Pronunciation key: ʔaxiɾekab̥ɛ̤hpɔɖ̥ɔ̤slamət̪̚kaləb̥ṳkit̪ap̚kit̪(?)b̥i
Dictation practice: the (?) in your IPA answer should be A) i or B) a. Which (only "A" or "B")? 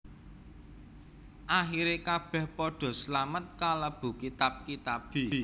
B